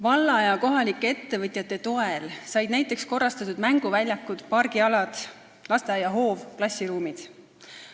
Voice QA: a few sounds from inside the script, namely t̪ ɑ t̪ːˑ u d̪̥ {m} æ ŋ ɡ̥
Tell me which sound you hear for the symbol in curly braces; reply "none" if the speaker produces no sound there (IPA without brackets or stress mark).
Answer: m